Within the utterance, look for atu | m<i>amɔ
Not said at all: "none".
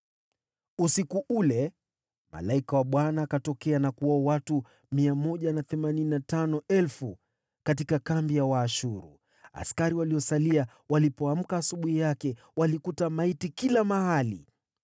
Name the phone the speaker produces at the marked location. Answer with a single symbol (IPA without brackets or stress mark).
i